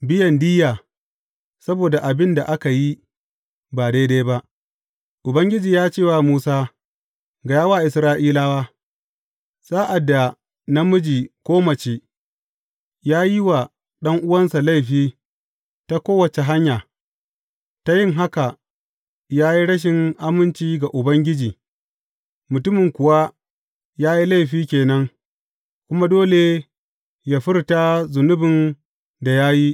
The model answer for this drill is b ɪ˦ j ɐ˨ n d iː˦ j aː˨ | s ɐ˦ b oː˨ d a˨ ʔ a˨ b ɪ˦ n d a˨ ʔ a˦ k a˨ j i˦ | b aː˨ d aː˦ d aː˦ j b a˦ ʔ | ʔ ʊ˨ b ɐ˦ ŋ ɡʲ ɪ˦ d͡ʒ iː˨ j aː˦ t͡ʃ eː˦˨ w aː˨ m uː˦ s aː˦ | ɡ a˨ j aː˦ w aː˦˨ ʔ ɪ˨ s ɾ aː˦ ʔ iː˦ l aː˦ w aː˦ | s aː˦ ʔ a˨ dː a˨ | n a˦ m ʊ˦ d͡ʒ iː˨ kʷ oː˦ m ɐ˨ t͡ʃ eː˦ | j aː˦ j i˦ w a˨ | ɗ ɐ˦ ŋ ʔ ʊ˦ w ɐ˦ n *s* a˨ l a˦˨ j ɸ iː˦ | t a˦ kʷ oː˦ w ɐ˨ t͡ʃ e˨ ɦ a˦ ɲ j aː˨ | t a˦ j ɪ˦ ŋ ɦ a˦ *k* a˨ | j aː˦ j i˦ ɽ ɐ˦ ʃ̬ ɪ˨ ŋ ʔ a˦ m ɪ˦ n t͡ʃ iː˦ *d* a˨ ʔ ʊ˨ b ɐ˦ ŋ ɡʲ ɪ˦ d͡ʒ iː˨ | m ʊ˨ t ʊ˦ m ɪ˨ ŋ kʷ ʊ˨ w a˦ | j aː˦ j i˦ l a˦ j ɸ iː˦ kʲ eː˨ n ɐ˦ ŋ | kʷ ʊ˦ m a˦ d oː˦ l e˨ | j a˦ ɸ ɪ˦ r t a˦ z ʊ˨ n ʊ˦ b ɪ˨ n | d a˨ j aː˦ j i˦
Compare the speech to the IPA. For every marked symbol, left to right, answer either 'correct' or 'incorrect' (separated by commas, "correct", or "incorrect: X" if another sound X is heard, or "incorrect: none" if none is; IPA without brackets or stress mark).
correct, correct, incorrect: ɡ